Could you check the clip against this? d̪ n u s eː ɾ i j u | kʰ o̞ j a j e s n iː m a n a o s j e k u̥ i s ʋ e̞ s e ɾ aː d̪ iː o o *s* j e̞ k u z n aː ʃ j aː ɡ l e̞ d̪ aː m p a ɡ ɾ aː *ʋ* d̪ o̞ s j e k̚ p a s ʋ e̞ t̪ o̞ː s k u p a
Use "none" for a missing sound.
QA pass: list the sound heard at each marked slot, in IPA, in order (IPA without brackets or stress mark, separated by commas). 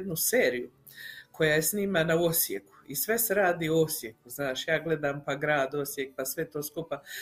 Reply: s, none